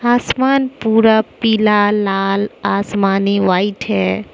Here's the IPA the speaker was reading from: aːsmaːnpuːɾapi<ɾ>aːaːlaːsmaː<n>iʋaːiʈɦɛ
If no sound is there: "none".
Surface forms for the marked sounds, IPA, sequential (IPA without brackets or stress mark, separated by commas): l, n